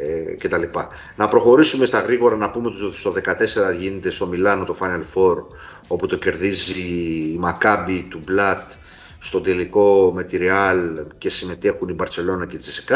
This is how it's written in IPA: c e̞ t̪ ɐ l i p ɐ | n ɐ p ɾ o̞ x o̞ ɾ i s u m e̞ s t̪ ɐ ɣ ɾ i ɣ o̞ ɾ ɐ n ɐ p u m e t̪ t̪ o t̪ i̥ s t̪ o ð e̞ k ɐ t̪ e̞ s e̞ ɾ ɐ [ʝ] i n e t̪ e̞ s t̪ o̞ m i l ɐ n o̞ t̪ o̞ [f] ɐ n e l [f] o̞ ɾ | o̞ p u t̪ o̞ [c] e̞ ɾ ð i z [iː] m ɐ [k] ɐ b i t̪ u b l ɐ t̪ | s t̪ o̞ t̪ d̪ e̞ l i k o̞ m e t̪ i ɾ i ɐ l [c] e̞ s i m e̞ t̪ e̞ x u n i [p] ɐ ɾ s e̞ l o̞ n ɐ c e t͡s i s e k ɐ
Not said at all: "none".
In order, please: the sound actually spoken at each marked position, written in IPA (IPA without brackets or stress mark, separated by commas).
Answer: ʝ, f, f, c, iː, k, c, b